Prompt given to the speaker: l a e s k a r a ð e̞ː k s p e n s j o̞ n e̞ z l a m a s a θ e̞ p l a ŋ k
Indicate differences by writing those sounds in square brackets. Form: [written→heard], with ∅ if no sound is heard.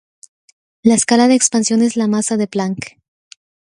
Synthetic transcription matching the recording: l a e s k a [r→l] a ð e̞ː k s p [e→a] n s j o̞ n e̞ z l a m a s a [θ→ð] e̞ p l a ŋ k